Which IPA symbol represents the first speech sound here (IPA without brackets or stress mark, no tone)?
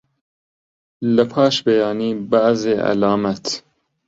l